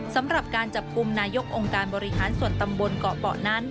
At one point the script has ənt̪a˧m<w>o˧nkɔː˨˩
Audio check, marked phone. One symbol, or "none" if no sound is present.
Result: b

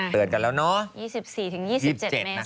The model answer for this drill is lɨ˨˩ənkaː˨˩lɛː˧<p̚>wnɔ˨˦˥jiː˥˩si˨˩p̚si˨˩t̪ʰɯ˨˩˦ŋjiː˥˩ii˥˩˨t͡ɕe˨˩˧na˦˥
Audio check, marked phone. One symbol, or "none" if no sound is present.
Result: none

